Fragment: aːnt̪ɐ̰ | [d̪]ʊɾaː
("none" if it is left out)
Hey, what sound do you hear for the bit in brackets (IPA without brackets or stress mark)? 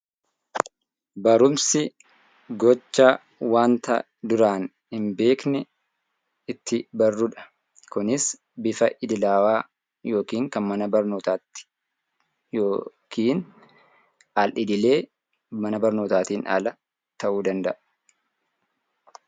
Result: d̪